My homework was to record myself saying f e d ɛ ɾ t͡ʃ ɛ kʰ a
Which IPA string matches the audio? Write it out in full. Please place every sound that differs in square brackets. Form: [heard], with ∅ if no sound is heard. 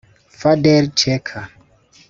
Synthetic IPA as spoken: f [a] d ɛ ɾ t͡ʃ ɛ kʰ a